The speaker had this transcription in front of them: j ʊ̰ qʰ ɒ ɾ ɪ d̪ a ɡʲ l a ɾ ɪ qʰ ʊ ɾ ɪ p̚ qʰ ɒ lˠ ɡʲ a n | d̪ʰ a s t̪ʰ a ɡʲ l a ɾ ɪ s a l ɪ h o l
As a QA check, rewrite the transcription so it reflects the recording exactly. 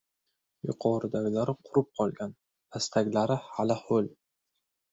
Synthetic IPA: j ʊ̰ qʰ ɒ ɾ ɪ d̪ a ɡʲ l a ɾ ɪ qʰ ʊ ɾ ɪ p̚ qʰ ɒ lˠ ɡʲ a n | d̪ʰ a s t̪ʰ a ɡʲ l a ɾ ɪ h a l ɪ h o l